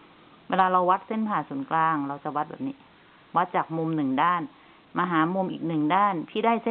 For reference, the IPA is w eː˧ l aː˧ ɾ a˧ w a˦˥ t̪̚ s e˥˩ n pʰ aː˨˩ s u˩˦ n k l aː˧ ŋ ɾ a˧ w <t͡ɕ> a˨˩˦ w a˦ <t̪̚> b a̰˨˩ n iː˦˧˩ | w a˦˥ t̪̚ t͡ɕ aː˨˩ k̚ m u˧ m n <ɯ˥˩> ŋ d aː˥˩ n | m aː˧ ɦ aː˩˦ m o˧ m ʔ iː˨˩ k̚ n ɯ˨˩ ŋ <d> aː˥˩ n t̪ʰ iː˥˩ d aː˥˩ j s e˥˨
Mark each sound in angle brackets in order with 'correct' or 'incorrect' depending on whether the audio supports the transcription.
correct, correct, incorrect, correct

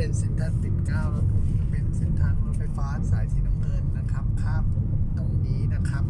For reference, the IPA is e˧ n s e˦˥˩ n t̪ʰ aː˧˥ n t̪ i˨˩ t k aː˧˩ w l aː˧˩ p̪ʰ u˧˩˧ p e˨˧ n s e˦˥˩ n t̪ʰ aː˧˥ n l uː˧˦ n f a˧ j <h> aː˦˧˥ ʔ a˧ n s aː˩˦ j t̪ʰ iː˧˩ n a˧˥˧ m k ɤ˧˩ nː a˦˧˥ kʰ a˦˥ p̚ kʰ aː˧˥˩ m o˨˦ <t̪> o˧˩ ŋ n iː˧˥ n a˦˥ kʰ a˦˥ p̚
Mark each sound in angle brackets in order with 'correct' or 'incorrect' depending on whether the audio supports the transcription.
incorrect, correct

